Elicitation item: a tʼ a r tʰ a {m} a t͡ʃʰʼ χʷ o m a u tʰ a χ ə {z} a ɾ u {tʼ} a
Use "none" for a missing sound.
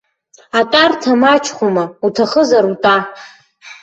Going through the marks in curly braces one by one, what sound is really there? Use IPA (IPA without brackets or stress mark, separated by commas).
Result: m, z, tʼ